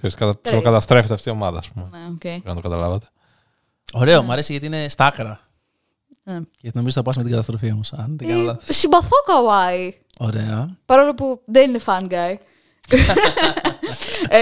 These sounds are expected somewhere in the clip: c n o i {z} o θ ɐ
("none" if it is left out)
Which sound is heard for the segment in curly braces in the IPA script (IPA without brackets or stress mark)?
z